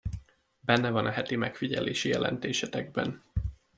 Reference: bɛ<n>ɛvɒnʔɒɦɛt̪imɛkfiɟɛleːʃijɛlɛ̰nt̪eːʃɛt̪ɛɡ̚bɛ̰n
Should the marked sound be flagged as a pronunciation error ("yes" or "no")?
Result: yes